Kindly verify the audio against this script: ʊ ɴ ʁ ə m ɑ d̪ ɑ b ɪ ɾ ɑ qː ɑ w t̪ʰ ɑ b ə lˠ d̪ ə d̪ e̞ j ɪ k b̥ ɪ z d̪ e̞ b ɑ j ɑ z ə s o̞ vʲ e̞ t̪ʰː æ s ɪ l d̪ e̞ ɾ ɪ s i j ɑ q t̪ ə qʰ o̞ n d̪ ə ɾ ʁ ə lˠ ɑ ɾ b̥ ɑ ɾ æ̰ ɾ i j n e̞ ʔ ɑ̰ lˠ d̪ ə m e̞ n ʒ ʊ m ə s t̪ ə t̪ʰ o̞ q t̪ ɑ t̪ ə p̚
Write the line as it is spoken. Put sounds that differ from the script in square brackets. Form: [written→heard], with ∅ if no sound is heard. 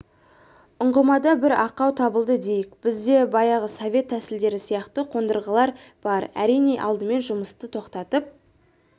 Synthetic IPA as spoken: ʊ ɴ ʁ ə m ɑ d̪ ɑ b ɪ ɾ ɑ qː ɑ w t̪ʰ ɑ b ə lˠ d̪ ə d̪ e̞ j ɪ k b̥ ɪ z d̪ e̞ b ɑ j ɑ [z→ʁ] ə s o̞ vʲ e̞ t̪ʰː æ s ɪ l d̪ e̞ ɾ ɪ s i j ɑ q t̪ ə qʰ o̞ n d̪ ə ɾ ʁ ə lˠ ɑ ɾ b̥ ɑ ɾ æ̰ ɾ i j n e̞ ʔ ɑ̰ lˠ d̪ ə m e̞ n ʒ ʊ m ə s t̪ ə t̪ʰ o̞ q t̪ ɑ t̪ ə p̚